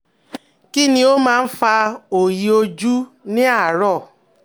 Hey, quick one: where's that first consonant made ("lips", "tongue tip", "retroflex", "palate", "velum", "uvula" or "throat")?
velum